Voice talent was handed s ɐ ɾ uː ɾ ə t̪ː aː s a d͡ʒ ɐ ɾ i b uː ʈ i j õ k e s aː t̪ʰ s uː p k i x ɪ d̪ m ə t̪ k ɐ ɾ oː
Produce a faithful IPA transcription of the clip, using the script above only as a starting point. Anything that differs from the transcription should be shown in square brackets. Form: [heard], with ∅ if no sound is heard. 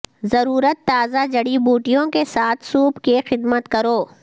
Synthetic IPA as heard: [z] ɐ ɾ uː ɾ ə t̪ː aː [z] a d͡ʒ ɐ [ɽ] i b uː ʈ i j õ k e s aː t̪ʰ s uː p k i x ɪ d̪ m ə t̪ k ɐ ɾ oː